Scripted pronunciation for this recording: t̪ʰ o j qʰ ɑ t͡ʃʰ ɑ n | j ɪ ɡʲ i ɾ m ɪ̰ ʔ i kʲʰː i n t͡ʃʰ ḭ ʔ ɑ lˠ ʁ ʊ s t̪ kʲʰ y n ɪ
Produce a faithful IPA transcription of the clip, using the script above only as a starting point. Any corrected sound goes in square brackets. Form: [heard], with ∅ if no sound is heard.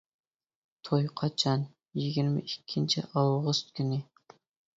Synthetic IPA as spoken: t̪ʰ o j qʰ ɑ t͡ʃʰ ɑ n | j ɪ ɡʲ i ɾ m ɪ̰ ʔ i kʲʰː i n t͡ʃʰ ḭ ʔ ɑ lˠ ʁ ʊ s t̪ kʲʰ y n ɪ